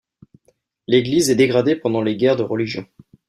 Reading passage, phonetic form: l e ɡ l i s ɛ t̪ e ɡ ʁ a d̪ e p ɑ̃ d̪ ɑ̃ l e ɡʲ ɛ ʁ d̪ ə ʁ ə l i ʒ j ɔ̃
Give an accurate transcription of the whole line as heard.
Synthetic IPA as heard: l e ɡ l i z ɛ d̪ e ɡ ʁ a d̪ e p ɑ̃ d̪ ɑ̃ l e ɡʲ ɛ ʁ d̪ ə ʁ ə l i ʒ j ɔ̃